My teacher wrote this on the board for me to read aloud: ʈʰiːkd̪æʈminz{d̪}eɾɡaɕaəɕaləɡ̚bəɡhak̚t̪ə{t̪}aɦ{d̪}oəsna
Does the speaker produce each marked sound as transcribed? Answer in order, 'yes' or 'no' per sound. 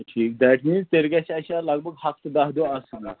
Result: no, no, yes

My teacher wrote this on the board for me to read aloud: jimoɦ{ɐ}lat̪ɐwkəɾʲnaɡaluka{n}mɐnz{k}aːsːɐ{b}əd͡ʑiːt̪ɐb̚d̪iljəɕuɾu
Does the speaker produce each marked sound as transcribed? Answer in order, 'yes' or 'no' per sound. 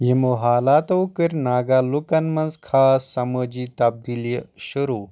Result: no, yes, no, no

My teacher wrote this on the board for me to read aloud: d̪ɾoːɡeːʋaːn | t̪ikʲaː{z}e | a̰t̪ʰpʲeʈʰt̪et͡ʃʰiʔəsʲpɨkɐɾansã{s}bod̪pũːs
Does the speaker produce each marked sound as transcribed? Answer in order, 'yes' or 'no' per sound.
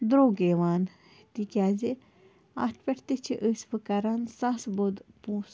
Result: yes, yes

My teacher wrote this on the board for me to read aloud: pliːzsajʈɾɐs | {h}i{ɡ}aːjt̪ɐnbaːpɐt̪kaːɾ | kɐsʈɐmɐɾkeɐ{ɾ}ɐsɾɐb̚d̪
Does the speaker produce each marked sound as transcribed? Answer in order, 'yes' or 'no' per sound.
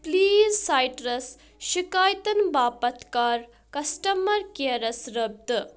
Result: no, no, yes

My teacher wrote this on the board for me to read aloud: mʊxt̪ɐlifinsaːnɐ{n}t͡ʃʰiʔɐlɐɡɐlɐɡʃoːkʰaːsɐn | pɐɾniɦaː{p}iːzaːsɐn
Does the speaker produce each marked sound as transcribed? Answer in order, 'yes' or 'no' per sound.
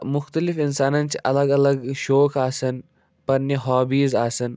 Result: yes, no

